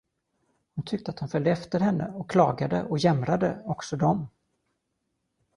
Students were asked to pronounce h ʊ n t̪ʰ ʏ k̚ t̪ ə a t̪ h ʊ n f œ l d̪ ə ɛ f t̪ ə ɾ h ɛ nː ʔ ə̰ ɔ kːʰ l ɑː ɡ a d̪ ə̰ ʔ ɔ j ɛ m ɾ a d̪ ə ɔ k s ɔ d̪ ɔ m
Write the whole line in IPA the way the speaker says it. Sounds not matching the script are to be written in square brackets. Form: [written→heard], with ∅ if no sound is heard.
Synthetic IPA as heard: h ʊ n t̪ʰ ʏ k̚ t̪ ə a t̪ h ʊ n f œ l d̪ ə ɛ f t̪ ə ɾ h ɛ nː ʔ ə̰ ɔ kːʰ l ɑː ɡ a d̪ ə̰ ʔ ɔ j ɛ m ɾ a d̪ ə ɔ k s ɔ d̪ ɔ m